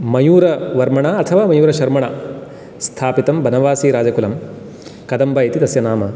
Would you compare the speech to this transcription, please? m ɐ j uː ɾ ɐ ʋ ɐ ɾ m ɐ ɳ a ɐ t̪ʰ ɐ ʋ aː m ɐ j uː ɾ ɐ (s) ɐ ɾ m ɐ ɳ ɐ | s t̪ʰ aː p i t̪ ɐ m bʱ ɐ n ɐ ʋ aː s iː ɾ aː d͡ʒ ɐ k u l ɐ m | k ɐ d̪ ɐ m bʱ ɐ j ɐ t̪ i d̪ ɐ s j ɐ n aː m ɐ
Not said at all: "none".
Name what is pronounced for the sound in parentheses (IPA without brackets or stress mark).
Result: ʃ